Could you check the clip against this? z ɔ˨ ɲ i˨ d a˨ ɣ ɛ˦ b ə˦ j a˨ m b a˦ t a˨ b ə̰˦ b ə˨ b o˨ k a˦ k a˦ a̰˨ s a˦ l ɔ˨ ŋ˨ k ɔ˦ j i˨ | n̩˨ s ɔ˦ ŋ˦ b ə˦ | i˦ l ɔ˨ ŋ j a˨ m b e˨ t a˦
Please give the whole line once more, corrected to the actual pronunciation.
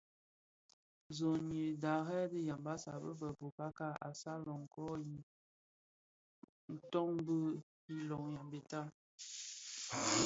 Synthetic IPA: z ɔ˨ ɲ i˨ d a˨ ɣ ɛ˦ d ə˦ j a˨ m b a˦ s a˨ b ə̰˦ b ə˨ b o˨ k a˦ k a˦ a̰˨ s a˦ l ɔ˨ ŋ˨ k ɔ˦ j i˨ | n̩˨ t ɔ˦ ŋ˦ b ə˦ | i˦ l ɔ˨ ŋ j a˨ m b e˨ t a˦